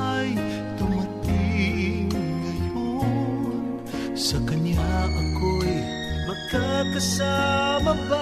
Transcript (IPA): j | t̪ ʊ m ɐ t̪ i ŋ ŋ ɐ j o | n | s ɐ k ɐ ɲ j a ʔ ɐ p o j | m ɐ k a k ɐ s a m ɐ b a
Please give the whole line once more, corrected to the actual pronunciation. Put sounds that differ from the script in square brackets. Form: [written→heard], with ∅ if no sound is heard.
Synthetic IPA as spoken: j | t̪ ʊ m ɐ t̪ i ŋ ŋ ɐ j o | n | s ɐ k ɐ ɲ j a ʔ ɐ [p→k] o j | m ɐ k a k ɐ s a m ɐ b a